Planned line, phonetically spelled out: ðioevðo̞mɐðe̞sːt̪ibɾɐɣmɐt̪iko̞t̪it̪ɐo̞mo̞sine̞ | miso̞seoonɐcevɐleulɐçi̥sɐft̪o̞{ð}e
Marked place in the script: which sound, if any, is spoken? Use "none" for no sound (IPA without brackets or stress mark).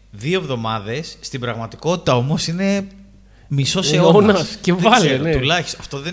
ð